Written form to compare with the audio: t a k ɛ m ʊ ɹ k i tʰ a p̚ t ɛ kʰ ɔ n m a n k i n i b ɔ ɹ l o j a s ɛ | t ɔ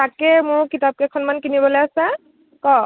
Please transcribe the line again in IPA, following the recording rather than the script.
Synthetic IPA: t a k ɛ m ʊ ɹ k i t a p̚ k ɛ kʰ ɔ n m a n k i n i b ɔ l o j a s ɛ | k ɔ